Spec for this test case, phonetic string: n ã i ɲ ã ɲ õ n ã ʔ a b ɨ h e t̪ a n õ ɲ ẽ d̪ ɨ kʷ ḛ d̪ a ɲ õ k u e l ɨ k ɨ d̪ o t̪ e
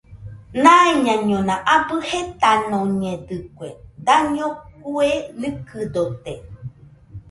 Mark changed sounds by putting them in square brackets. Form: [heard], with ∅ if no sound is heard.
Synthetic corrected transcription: n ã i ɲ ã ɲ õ n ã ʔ a b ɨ h e t̪ a n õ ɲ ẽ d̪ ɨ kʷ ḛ d̪ a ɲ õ k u e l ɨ k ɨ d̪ o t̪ e